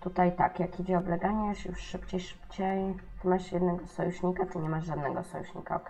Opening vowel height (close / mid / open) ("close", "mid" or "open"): close